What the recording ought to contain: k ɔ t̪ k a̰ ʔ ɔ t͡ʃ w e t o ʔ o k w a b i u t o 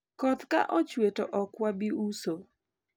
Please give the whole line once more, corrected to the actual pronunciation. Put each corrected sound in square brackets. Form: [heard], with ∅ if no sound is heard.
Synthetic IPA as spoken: k ɔ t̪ k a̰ ʔ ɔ t͡ʃ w e t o ʔ [ɔ] k w a b i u [s] o